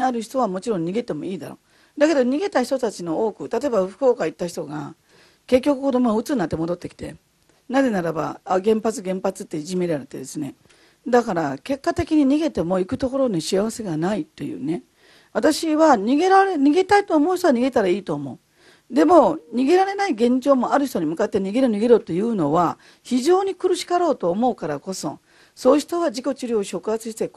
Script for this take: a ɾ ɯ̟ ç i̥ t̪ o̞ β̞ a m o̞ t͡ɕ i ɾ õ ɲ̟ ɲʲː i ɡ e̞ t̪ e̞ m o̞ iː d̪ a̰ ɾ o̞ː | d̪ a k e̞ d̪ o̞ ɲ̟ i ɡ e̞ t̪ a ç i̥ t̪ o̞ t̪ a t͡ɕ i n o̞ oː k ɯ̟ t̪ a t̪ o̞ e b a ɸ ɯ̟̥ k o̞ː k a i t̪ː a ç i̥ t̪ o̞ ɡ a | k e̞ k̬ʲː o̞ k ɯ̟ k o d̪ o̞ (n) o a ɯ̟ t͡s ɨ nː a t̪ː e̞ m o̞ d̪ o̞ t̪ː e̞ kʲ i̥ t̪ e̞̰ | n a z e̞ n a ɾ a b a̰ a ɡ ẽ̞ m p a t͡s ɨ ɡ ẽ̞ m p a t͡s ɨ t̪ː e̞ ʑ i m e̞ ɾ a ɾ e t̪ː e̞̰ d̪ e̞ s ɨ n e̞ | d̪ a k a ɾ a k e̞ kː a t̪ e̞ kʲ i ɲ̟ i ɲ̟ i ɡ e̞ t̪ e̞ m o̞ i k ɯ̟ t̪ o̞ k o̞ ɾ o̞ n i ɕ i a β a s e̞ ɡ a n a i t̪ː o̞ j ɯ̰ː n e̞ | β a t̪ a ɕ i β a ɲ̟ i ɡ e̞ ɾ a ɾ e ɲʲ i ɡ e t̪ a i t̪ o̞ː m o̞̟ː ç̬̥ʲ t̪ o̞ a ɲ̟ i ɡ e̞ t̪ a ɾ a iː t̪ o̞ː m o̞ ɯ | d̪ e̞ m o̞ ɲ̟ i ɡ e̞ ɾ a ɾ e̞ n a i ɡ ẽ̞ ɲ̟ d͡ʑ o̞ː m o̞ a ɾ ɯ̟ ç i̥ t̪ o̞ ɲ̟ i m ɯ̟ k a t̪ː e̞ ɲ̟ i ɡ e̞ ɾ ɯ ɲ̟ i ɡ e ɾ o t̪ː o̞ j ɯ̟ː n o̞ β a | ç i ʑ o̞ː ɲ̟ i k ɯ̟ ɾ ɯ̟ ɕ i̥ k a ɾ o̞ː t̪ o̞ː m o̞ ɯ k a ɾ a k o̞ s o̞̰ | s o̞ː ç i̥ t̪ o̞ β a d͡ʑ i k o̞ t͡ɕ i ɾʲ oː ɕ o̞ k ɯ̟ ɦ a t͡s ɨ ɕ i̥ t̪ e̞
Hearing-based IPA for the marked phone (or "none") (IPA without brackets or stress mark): m